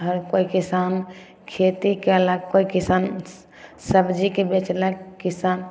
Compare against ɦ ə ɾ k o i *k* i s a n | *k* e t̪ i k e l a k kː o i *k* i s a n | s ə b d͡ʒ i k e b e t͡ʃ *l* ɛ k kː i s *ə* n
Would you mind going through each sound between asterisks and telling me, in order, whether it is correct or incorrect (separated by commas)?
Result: correct, incorrect, correct, correct, incorrect